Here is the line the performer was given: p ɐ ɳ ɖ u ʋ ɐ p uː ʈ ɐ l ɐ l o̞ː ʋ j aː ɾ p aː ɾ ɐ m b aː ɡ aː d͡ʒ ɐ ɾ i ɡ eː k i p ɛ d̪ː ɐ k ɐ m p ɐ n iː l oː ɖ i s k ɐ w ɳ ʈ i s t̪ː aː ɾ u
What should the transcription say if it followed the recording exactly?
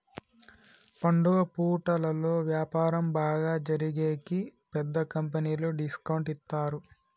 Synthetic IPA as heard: p ɐ ɳ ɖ u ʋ ɐ p uː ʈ ɐ l ɐ l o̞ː ʋ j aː p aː ɾ ɐ m b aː ɡ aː d͡ʒ ɐ ɾ i ɡ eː k i p ɛ d̪ː ɐ k ɐ m p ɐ n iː l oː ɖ i s k ɐ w ɳ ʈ i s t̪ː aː ɾ u